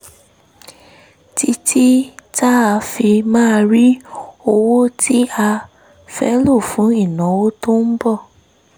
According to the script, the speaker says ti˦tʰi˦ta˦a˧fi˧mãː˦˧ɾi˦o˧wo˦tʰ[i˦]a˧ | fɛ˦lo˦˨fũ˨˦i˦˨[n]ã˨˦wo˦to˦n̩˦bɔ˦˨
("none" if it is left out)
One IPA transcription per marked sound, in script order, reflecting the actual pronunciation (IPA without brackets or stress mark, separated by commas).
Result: i˦, n